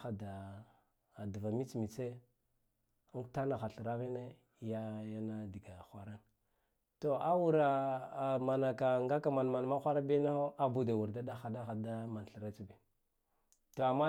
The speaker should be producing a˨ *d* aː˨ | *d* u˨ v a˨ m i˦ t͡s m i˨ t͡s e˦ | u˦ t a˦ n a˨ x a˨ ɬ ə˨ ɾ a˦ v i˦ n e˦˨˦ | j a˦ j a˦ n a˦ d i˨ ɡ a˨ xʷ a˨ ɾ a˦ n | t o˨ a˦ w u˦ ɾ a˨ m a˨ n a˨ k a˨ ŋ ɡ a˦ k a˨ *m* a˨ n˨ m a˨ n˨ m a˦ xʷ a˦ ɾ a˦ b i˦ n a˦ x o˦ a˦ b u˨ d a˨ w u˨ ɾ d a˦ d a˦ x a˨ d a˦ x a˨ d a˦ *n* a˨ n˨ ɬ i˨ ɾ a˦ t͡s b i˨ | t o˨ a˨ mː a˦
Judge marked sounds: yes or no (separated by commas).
yes, yes, yes, no